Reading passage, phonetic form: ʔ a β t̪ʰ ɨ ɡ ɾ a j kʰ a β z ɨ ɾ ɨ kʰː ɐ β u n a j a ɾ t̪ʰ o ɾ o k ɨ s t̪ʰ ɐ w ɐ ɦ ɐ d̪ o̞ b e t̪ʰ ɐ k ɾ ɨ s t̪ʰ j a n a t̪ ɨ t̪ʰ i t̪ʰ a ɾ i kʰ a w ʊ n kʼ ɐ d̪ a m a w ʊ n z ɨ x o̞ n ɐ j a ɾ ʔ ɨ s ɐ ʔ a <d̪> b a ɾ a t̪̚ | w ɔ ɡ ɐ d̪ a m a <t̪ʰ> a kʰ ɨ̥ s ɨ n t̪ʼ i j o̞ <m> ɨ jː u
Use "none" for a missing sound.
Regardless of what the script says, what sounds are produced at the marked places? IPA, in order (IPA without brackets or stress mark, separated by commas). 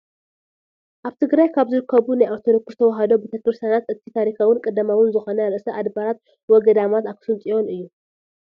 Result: d̪, t̪, n